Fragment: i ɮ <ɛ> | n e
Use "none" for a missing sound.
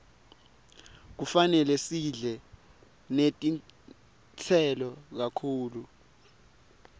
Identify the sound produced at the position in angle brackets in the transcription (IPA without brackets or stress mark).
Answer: ɛ